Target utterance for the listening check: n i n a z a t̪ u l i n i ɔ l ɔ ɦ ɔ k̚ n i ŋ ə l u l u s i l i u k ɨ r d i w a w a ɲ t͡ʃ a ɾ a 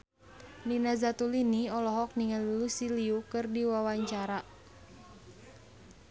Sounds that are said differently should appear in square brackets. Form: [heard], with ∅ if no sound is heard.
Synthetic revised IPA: n i n a z a t̪ u l i n i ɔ l ɔ ɦ ɔ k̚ n i ŋ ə l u l u s i l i u k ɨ r d i w a w a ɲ t͡ʃ a ɾ a